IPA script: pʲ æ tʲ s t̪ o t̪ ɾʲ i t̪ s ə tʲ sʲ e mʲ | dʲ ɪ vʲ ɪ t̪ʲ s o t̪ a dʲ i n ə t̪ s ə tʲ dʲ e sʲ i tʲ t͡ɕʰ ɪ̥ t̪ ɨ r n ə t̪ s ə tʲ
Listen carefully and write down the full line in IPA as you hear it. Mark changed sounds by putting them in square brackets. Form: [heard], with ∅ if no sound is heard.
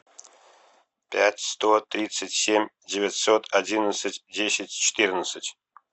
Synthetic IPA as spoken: pʲ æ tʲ s t̪ o t̪ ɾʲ i t̪ s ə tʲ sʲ e mʲ | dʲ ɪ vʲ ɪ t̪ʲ s o t̪ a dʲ i n ə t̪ s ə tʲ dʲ e sʲ [ɪ] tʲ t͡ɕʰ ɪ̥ t̪ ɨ r n ə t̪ s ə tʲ